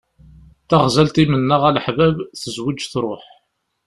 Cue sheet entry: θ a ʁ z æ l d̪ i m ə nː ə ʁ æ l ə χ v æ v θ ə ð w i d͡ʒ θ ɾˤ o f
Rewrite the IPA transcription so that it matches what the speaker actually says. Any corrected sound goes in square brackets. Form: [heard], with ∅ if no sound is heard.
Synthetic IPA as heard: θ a ʁ z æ l [t̪] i m ə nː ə ʁ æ l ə [ħ] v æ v θ ə [z] w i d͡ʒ θ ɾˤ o [ħ]